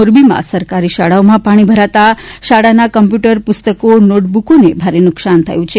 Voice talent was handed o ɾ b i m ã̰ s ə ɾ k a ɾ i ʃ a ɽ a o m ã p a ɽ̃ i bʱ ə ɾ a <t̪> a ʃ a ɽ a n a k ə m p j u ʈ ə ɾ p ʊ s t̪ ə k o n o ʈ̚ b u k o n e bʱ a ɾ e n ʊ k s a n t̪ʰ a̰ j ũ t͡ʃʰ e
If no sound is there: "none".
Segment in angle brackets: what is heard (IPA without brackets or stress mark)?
t̪